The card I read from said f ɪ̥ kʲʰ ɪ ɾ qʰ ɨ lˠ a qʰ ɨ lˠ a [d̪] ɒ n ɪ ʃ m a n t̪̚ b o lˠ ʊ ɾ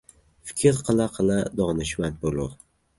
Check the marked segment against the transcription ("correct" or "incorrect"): correct